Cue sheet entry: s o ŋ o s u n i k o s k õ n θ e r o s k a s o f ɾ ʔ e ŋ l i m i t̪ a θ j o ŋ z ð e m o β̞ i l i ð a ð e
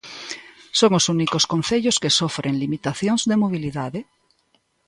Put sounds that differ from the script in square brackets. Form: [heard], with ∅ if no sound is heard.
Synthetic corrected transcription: s o ŋ o s u n i k o s k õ n θ e [ʎ] o s k [e] s o f ɾ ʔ e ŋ l i m i t̪ a θ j o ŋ z ð e m o β̞ i l i ð a ð e